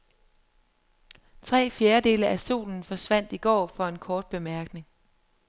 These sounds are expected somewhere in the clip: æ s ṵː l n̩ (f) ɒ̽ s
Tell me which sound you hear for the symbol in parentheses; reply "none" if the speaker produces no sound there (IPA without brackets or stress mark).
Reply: f